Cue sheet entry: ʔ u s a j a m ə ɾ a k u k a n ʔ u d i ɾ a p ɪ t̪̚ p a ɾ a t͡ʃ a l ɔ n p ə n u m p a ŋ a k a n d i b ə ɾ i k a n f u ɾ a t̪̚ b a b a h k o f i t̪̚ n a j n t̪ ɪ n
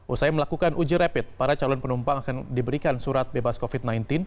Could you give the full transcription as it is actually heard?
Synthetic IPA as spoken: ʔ u s a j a m ə l a k u k a n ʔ u d͡ʒ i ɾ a p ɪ t̪̚ p a ɾ a t͡ʃ a l ɔ n p ə n u m p a ŋ a k a n d i b ə ɾ i k a n s u ɾ a t̪̚ b e b a s k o f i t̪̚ n a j n t̪ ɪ n